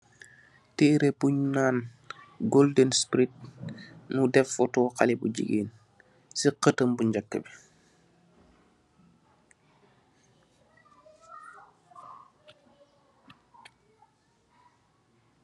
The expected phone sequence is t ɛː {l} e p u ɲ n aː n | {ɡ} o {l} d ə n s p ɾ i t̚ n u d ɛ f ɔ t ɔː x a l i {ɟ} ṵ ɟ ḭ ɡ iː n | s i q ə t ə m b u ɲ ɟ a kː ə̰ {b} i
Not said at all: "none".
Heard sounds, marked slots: ɾ, ɡ, l, b, b

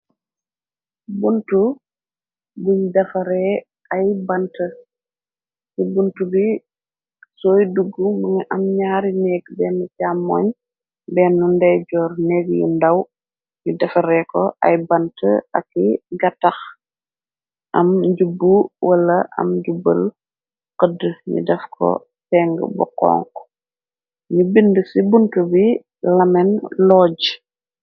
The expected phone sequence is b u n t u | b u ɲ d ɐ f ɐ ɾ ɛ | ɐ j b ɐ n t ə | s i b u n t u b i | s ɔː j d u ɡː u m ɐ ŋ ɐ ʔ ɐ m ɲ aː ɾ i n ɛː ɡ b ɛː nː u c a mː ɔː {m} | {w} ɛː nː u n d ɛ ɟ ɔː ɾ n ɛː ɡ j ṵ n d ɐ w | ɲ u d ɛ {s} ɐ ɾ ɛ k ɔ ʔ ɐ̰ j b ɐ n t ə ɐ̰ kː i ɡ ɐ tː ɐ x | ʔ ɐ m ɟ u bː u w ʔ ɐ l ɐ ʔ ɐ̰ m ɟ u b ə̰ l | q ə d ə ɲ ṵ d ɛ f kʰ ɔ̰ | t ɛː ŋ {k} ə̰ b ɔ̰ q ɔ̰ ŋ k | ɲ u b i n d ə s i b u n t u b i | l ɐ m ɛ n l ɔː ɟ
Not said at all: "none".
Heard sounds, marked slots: ɲ, b, f, ɡ

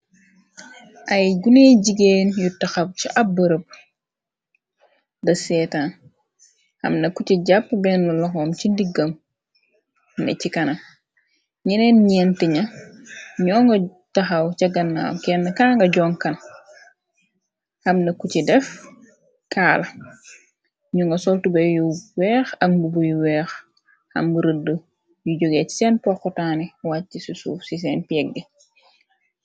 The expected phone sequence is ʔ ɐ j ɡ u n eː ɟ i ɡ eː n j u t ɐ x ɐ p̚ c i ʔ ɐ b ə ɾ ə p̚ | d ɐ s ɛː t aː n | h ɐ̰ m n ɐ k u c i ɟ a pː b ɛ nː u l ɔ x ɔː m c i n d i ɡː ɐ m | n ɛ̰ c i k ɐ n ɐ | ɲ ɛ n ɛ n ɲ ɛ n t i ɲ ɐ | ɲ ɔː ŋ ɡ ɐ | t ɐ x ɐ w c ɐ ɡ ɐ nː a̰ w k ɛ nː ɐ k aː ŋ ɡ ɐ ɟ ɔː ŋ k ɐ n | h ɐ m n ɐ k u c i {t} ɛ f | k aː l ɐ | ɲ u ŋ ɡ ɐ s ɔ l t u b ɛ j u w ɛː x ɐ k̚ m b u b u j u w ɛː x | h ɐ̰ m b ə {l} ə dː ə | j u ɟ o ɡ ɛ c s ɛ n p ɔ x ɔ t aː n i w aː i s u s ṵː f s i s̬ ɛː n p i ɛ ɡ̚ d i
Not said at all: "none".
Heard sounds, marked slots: d, ɾ

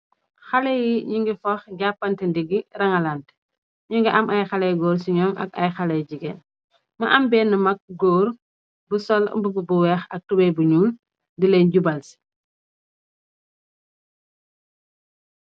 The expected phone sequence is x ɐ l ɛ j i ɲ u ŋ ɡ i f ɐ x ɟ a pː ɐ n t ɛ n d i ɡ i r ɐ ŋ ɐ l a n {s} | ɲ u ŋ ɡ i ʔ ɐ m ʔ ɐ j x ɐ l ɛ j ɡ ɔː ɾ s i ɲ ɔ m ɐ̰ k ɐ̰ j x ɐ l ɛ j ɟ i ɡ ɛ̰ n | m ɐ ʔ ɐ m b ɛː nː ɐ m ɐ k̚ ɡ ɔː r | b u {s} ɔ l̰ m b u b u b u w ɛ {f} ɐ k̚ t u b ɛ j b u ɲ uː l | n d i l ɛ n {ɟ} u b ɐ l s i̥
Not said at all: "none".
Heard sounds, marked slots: t, s, x, ɟ

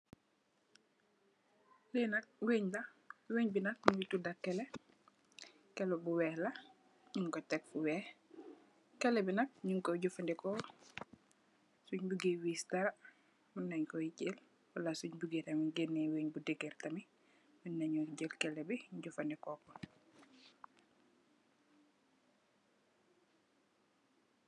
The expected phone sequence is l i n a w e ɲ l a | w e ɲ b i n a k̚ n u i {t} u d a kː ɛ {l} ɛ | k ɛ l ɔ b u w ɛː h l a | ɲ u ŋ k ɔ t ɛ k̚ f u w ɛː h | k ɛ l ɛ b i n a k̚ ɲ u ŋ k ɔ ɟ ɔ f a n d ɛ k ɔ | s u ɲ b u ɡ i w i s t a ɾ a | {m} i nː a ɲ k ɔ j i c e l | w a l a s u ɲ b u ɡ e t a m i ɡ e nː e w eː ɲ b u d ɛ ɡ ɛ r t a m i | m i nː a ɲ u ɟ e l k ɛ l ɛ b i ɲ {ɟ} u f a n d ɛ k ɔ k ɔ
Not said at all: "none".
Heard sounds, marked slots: t, l, m, ɟ

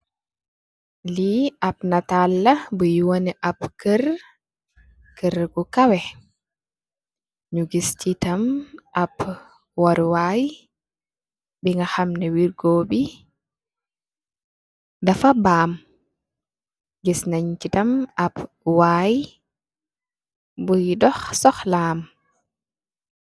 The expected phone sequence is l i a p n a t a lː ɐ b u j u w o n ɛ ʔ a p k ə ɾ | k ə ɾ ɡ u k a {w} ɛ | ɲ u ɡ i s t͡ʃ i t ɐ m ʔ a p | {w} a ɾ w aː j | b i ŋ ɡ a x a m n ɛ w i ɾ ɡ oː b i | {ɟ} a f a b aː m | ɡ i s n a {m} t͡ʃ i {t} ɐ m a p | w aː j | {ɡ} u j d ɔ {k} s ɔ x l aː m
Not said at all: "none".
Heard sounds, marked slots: w, w, d, ɲ, t, b, x

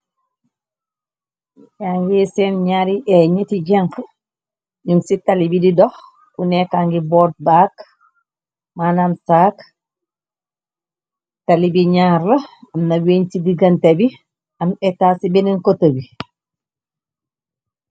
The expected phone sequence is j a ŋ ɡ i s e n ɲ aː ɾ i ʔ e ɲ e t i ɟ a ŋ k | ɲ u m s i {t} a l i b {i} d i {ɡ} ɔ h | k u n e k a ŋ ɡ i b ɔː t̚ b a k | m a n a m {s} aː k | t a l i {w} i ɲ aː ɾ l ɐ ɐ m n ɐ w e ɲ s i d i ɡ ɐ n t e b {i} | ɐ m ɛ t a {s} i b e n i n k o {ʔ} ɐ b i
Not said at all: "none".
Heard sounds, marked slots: t, i, d, s, b, i, s, t

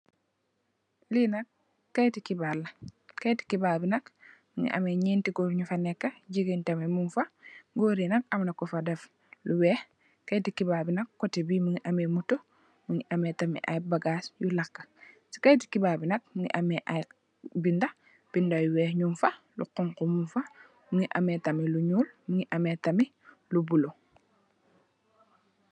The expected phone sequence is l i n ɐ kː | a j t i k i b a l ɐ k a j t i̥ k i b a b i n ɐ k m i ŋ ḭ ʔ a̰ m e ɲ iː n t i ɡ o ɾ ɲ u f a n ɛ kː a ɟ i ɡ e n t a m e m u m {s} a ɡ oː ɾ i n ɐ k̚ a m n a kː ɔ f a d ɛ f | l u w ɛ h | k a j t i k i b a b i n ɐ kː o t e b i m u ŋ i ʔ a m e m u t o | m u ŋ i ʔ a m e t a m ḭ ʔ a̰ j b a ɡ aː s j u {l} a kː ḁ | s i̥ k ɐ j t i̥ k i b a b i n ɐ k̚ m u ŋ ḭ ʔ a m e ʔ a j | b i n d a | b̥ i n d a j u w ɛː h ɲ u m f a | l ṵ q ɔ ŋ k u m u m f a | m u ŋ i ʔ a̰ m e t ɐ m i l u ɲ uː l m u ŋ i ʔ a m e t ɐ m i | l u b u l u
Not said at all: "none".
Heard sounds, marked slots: f, l

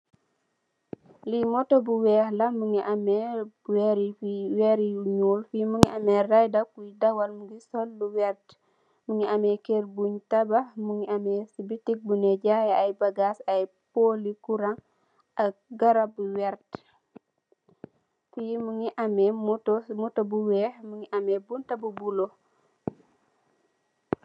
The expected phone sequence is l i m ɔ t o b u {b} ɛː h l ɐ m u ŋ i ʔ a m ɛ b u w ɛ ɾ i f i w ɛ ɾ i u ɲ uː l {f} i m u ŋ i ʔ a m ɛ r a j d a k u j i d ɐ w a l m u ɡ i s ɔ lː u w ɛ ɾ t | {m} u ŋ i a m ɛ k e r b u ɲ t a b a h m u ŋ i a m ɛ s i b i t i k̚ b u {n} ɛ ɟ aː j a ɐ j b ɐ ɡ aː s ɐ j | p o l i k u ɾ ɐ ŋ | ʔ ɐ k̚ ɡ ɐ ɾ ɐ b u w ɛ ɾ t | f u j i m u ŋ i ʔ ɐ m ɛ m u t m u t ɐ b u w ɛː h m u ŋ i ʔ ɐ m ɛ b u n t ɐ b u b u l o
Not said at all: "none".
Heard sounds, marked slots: w, f, m, n

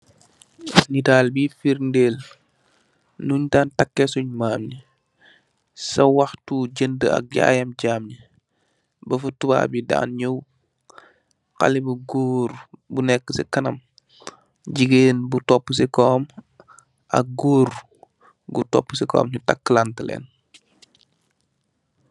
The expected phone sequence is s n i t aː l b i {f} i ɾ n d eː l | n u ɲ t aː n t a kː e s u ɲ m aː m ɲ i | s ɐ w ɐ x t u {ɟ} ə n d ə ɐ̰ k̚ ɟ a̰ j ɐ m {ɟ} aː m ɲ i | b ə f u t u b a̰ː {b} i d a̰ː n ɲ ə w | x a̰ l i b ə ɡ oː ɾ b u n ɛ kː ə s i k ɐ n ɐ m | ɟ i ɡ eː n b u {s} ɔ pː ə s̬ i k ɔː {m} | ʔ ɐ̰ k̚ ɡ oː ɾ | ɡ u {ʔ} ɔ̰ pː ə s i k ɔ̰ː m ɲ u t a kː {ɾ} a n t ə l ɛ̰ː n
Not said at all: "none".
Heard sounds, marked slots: f, ɟ, ɟ, b, t, m, t, l

